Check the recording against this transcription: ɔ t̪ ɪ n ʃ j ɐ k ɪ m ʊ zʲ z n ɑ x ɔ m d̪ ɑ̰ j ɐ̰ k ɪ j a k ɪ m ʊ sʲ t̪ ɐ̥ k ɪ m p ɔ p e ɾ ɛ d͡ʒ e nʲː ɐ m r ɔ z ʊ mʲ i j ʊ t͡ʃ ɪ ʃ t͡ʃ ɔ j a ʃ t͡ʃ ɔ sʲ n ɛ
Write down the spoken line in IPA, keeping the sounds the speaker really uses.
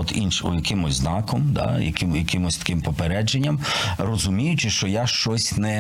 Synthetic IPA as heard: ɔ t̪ i n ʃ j ɐ k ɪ m ʊ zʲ z n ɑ k ɔ m d̪ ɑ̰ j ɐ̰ k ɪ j ɐ k ɪ m ʊ sʲ t̪ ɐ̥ k ɪ m p ɔ p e ɾ ɛ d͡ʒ e nʲː ɐ m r ɔ z ʊ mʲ i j ʊ t͡ʃ ɪ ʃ t͡ʃ ɔ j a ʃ t͡ʃ ɔ sʲ n ɛ